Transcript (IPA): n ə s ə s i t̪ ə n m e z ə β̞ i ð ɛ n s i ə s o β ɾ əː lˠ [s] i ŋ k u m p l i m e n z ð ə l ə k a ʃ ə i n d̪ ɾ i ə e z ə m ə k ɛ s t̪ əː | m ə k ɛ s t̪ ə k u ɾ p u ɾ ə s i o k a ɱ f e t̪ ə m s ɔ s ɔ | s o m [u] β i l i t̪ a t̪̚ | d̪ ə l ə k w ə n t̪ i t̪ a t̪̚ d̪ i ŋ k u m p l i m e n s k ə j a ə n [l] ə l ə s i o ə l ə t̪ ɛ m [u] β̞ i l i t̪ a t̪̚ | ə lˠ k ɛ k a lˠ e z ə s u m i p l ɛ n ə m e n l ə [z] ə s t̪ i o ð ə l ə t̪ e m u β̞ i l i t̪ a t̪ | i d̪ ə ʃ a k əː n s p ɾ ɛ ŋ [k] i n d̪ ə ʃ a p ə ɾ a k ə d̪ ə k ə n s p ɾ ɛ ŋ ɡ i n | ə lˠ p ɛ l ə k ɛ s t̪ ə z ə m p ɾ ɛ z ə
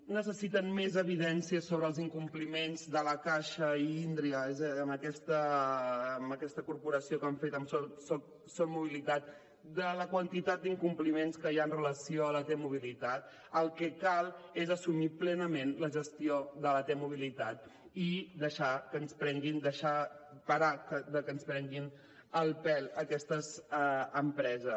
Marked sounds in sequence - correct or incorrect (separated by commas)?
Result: incorrect, correct, incorrect, correct, incorrect, incorrect